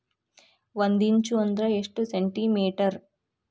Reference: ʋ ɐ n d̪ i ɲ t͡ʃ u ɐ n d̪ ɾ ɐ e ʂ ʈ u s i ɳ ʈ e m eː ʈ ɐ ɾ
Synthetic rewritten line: ʋ ɐ n d̪ i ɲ t͡ʃ u ɐ n d̪ ɾ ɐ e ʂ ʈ u s e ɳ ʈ i m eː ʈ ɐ ɾ